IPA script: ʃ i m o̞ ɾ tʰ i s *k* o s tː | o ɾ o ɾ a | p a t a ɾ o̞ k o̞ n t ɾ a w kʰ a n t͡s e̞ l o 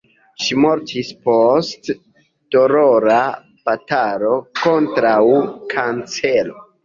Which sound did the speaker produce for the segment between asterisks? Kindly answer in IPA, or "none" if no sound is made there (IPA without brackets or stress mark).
p